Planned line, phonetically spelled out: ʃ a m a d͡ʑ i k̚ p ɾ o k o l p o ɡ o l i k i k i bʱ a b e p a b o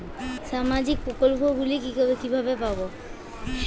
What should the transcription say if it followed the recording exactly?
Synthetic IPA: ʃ a m a d͡ʑ i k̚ p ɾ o k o l p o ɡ u l i k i k i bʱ a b e p a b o